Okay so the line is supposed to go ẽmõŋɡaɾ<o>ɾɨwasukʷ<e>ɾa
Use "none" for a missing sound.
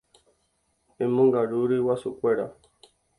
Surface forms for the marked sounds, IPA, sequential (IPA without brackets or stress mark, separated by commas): u, e